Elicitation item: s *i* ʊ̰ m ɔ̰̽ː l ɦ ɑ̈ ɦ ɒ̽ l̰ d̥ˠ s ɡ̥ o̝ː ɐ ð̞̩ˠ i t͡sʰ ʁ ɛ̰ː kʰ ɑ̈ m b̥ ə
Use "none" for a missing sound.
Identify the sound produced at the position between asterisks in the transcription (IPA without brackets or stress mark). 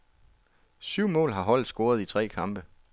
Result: y